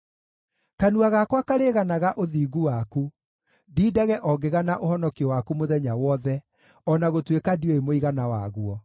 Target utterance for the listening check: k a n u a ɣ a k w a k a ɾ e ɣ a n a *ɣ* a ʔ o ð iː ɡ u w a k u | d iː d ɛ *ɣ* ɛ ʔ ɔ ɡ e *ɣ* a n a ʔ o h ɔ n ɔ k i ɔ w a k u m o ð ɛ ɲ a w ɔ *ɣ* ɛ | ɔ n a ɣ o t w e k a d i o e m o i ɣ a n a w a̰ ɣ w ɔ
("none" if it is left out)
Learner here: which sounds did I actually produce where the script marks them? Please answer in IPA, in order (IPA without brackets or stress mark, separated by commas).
ɣ, ɣ, ɣ, ð